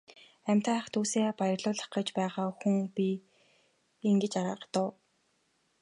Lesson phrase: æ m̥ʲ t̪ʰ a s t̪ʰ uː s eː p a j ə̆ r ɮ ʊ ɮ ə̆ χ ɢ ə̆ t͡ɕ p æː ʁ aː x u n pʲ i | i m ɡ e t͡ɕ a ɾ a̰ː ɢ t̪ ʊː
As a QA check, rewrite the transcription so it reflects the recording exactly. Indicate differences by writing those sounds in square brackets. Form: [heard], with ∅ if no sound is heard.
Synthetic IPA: æ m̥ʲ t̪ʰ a [χ] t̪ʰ uː s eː p a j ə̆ r ɮ [ʊː] ɮ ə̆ χ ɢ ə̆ t͡ɕ p æː ʁ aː x u [ŋ] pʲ i | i [ŋ] ɡ e t͡ɕ a ɾ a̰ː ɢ t̪ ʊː

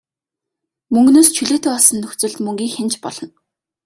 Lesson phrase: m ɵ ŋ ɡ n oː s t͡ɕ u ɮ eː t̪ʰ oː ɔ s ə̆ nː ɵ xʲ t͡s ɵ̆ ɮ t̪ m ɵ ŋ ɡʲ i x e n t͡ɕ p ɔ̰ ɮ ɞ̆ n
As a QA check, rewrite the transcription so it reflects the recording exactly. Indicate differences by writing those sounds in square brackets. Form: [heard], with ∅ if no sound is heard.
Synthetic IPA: m ɵ ŋ ɡ n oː s [t͡ɕʰ] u ɮ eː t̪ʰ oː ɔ s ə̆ nː ɵ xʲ t͡s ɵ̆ ɮ t̪ m ɵ ŋ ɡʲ [iː] x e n t͡ɕ p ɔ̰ ɮ ɞ̆ n

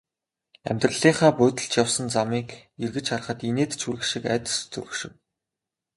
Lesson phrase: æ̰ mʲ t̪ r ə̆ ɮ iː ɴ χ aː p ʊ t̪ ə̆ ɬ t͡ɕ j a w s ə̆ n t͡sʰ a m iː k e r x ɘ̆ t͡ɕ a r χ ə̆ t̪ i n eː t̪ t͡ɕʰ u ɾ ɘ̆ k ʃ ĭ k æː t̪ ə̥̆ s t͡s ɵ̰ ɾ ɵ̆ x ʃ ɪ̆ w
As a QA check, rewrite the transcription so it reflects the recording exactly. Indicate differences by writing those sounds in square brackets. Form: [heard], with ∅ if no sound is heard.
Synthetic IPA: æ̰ mʲ t̪ r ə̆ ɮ iː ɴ χ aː p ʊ t̪ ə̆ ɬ t͡ɕ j a w s ə̆ n [t͡s] a m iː k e r [ɣ] ɘ̆ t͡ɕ a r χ ə̆ t̪ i n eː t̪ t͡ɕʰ u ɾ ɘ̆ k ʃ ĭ k æː t̪ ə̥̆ s t͡s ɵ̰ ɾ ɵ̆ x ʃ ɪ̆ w

